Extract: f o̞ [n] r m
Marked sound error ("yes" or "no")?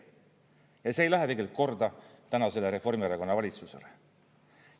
yes